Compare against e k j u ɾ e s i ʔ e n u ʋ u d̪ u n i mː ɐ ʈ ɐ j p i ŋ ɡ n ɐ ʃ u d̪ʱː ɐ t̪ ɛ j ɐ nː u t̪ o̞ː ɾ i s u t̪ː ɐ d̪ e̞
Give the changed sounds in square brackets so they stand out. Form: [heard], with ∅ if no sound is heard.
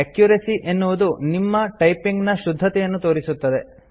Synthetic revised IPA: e k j u ɾ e s i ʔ e [nː] u ʋ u d̪ u n i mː ɐ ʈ ɐ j p i ŋ ɡ n ɐ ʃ u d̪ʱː ɐ t̪ ɛ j ɐ nː u t̪ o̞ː ɾ i s u t̪ː ɐ d̪ e̞